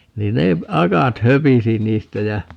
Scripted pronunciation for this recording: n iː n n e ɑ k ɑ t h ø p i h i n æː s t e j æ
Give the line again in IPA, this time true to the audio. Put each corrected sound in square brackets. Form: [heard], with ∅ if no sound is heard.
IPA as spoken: n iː n n e ɑ k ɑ t h ø p i [s] i n [iː] s t [æ] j æ